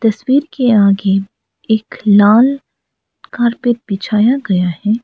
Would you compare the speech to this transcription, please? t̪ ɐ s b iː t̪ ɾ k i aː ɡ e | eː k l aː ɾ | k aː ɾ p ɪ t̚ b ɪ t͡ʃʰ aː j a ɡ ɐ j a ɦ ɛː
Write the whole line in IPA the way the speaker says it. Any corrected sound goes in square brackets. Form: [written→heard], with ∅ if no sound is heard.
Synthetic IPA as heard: t̪ ɐ s [b→w] iː [t̪→∅] ɾ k [i→e] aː ɡ e | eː k l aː [ɾ→l] | k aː ɾ p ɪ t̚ b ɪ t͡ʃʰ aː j a ɡ ɐ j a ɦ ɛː